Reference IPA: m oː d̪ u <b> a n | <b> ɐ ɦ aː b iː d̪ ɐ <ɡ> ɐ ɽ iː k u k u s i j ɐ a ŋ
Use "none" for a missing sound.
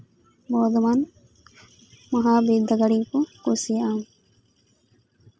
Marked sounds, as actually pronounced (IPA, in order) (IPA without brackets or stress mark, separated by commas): m, m, ɡ